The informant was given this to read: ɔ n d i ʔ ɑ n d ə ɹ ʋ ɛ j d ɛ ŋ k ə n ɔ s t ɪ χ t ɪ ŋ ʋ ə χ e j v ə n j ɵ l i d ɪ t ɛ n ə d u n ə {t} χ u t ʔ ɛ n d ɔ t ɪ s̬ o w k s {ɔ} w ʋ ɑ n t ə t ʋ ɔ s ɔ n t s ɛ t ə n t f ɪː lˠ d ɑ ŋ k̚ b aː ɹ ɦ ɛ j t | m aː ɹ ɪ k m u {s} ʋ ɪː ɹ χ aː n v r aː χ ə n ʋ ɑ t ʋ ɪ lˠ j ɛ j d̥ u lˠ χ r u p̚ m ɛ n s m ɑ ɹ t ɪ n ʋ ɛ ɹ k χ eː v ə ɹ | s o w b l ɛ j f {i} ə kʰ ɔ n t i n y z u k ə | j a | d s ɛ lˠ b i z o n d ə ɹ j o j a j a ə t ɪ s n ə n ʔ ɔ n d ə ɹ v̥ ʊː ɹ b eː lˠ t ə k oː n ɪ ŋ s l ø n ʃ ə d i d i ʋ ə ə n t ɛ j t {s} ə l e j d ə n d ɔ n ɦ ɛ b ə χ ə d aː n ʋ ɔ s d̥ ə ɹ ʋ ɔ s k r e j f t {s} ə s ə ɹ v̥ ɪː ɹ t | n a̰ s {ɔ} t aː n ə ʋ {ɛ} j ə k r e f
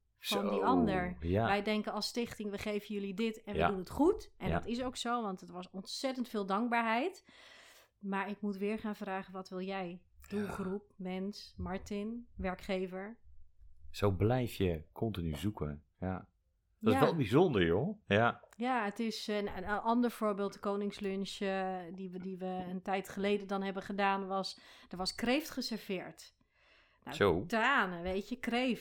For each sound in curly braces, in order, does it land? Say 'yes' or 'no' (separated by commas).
yes, no, no, no, no, no, no, no